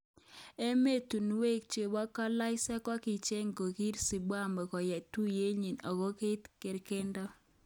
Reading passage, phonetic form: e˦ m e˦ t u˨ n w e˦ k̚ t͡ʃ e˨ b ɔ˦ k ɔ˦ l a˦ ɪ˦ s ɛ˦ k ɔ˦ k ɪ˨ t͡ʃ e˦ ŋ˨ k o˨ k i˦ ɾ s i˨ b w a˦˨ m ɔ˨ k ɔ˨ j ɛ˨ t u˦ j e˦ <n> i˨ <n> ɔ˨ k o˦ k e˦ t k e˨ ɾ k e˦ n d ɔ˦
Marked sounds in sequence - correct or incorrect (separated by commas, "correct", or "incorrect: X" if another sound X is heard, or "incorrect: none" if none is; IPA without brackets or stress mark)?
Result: incorrect: ɲ, correct